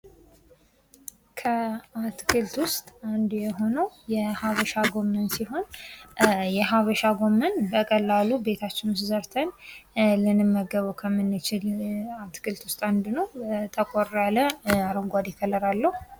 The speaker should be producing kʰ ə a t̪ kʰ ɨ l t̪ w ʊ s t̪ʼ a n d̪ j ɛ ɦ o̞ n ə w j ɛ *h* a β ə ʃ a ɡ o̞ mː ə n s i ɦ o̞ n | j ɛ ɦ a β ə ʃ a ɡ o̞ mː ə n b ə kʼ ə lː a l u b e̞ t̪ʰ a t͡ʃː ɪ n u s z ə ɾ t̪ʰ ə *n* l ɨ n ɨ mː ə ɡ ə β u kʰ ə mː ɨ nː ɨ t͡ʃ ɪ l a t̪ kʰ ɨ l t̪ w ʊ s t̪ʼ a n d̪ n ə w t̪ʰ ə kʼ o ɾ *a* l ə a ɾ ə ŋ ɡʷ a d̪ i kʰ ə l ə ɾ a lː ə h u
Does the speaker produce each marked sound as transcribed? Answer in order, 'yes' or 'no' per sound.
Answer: yes, yes, yes

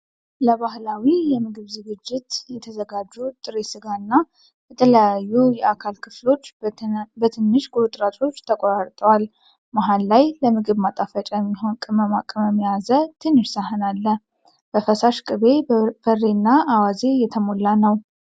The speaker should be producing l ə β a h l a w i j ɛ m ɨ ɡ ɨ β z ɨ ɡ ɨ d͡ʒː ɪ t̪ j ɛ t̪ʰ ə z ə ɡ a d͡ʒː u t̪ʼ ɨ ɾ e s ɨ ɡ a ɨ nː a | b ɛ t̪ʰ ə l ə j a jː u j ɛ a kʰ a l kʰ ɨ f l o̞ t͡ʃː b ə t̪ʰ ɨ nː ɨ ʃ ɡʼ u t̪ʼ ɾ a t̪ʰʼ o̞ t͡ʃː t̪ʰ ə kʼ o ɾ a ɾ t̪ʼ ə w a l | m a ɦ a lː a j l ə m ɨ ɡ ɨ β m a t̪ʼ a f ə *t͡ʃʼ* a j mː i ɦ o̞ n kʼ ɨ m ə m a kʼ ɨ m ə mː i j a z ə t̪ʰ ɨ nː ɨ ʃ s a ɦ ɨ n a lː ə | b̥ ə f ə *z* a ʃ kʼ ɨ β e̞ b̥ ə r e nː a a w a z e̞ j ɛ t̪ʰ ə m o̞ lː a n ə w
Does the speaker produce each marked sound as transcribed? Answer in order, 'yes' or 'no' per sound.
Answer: yes, no

